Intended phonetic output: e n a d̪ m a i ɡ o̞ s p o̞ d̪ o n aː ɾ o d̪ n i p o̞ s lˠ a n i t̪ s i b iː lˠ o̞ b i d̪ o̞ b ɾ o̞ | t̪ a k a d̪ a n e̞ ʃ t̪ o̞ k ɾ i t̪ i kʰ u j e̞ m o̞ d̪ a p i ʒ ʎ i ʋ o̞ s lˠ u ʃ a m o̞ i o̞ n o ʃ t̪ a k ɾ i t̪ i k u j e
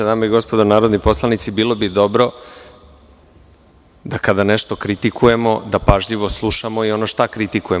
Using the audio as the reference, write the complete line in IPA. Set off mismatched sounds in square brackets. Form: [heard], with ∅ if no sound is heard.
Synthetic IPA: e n a [∅] m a i ɡ o̞ s p o̞ d̪ o n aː ɾ o d̪ n i p o̞ s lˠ a n i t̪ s i b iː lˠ o̞ b i d̪ o̞ b ɾ o̞ | [d̪] a k a d̪ a n e̞ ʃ t̪ o̞ k ɾ i t̪ i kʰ u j e̞ m o̞ d̪ a p [a] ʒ ʎ i ʋ o̞ s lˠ u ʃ a m o̞ i o̞ n o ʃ t̪ a k ɾ i t̪ i k u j e